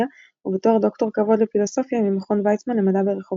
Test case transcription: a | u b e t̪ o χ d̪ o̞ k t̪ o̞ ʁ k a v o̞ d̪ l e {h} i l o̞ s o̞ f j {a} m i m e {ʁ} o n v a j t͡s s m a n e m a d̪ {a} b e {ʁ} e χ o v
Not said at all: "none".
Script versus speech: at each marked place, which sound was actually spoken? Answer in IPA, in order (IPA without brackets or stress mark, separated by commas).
f, a, χ, a, ʁ